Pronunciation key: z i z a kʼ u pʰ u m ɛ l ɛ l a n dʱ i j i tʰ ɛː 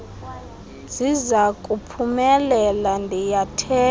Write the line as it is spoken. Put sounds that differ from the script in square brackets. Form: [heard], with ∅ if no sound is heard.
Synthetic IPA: z i z a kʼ u pʰ u m ɛ l ɛ l a n dʱ i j [a] tʰ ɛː